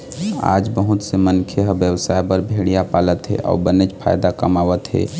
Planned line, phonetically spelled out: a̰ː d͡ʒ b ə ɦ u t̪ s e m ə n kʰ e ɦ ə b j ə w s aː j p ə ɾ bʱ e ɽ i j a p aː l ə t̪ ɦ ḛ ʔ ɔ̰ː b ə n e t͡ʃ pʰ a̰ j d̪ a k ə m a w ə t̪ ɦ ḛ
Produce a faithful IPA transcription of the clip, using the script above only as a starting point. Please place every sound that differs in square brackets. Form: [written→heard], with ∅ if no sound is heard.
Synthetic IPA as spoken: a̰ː d͡ʒ b ə ɦ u t̪ s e m ə n kʰ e ɦ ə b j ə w s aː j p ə ɾ bʱ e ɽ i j a p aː l ə t̪ ɦ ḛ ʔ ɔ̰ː b ə n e t͡ʃ pʰ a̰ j d̪ a k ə m a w ə t̪ ɦ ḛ